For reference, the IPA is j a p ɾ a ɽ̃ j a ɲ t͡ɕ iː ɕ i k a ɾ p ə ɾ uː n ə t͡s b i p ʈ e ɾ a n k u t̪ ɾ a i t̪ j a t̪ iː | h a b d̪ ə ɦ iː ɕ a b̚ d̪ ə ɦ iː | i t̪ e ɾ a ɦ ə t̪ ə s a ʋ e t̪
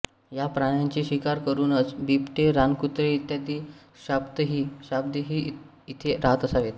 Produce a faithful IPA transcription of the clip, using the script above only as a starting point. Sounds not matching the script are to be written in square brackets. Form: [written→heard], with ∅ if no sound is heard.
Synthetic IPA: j a p ɾ a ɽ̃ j a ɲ t͡ɕ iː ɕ i k a ɾ [p→k] ə ɾ uː n ə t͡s b i p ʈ e ɾ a n k u t̪ ɾ [a→e] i t̪ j a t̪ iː | [h→ɕ] a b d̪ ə ɦ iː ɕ a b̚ d̪ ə ɦ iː | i [t̪→t̪ʰ] e ɾ a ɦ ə t̪ ə s a ʋ e t̪

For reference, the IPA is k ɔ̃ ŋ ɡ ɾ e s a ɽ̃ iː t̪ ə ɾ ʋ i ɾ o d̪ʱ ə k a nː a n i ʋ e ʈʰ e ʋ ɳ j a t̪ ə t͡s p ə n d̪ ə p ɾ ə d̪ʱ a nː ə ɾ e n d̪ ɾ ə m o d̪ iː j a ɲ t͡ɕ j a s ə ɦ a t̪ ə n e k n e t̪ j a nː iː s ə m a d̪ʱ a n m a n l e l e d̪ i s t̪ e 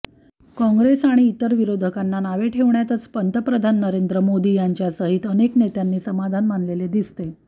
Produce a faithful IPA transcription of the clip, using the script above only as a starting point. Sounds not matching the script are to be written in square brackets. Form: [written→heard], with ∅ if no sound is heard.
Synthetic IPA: k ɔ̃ ŋ ɡ ɾ e s a ɽ̃ iː t̪ ə ɾ ʋ i ɾ o d̪ʱ ə k a nː a n [i→a] ʋ e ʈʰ e ʋ ɳ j a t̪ ə t͡s p ə n [d̪→t̪] ə p ɾ ə d̪ʱ a nː ə ɾ e n d̪ ɾ ə m o d̪ iː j a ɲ t͡ɕ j a s ə ɦ [a→i] t̪ ə n e k n e t̪ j a nː iː s ə m a d̪ʱ a n m a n l e l e d̪ i s t̪ e

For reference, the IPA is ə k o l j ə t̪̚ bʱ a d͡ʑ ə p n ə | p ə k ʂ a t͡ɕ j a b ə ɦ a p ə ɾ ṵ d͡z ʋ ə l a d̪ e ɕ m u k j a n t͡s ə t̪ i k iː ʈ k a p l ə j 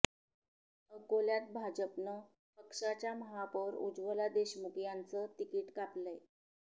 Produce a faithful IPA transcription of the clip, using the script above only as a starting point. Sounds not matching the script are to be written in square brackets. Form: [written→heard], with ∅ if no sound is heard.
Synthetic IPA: ə k o l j [ə→a] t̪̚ bʱ a d͡ʑ ə p n ə | p ə k ʂ a t͡ɕ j a [b→m] ə ɦ a p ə ɾ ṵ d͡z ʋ ə l a d̪ e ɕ m u k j a n t͡s ə t̪ i k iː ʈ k a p l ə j

